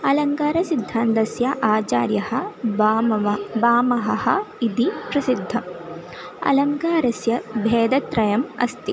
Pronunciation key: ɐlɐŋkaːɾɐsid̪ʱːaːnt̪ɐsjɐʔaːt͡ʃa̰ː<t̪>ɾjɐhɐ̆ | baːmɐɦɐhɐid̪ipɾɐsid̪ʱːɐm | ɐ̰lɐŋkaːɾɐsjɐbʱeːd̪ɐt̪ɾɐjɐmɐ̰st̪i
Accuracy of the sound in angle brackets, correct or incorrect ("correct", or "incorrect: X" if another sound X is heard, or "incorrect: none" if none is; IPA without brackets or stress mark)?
incorrect: none